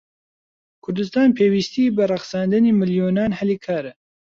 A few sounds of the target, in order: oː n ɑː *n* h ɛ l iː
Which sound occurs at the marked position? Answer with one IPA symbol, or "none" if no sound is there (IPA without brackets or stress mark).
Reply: n